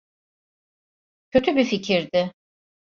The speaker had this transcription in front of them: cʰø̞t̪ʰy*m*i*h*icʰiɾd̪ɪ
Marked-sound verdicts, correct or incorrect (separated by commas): incorrect, incorrect